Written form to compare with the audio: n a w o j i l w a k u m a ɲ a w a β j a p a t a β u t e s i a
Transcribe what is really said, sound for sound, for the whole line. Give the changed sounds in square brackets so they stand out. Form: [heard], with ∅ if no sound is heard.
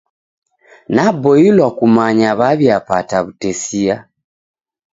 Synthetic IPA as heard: n a [b] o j i l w a k u m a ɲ a [β] a β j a p a t a β u t e s i a